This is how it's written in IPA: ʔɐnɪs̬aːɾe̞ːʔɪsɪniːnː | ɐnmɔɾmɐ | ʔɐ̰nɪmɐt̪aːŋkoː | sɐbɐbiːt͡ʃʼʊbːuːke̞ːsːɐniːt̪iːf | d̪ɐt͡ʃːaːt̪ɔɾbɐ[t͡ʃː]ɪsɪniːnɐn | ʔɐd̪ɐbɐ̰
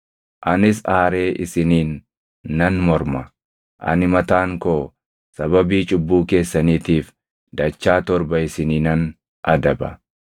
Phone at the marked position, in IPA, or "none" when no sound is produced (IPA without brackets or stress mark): none